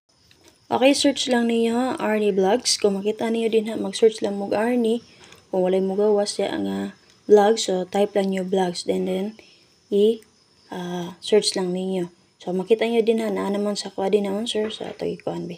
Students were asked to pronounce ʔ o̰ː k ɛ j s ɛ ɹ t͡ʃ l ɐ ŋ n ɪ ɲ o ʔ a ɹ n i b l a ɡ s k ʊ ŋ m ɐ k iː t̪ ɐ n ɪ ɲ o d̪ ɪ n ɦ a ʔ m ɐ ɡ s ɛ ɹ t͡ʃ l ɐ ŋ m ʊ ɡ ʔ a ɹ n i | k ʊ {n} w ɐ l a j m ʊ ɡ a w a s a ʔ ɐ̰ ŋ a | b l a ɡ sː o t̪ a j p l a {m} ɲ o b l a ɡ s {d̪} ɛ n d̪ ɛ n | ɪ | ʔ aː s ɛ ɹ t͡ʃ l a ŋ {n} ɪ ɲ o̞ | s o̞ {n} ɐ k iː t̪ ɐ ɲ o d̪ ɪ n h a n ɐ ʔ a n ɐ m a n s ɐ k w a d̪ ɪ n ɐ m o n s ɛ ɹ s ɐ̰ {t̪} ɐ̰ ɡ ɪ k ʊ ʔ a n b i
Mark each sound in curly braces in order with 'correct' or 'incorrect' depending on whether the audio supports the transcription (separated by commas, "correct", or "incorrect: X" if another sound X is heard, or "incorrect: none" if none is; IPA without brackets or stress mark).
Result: incorrect: ŋ, incorrect: ŋ, correct, correct, incorrect: m, correct